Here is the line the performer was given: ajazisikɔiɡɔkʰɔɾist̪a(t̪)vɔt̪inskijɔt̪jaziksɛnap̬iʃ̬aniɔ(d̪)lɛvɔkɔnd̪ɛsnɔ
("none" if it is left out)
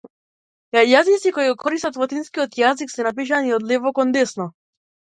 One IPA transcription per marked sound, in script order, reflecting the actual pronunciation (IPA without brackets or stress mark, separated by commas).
t̪, d̪